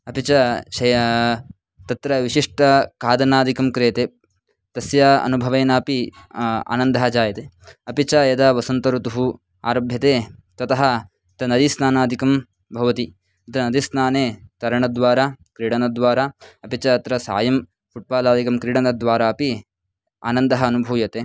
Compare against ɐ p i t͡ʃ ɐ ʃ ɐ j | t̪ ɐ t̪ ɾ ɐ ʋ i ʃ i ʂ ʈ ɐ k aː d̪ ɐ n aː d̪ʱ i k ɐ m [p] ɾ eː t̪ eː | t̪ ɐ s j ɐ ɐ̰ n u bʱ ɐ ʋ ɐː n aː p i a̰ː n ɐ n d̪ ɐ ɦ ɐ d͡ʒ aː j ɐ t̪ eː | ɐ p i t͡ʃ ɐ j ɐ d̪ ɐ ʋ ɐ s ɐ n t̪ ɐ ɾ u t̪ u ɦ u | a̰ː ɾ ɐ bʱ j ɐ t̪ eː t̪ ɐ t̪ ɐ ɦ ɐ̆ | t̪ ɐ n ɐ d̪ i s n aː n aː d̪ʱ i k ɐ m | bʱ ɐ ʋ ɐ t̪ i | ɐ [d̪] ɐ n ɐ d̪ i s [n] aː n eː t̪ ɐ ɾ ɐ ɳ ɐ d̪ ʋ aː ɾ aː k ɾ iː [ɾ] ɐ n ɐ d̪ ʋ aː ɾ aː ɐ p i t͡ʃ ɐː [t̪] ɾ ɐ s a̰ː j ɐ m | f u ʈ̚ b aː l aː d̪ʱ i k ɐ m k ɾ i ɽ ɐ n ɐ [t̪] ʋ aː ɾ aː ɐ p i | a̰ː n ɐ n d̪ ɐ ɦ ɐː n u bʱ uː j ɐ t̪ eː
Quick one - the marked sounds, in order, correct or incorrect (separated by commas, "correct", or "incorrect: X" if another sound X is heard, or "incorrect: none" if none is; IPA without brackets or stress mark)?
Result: incorrect: k, incorrect: t̪, correct, incorrect: ɽ, correct, incorrect: d̪